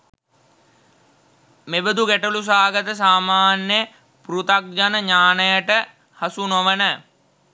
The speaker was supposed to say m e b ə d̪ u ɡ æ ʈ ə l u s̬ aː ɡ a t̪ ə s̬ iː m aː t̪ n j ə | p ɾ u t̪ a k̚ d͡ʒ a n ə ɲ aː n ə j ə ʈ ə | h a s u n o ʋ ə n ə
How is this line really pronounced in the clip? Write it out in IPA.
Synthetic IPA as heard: m e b ə d̪ u ɡ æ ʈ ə l u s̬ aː ɡ ə t̪ ə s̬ aː m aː n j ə | p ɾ u t̪ a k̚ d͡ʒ a n ə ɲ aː n ə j ə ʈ ə | h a s u n o ʋ ə n ə